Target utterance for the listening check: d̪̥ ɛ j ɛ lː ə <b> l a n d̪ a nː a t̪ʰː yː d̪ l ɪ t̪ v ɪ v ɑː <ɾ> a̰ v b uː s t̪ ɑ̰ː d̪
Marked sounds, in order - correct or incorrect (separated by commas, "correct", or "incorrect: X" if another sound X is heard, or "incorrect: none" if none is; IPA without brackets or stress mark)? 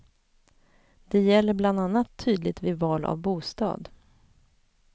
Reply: correct, incorrect: l